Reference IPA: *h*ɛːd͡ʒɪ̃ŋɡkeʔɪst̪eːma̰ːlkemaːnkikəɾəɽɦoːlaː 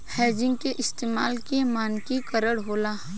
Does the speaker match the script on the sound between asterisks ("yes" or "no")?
yes